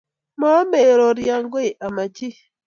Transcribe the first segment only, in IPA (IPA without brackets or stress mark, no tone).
m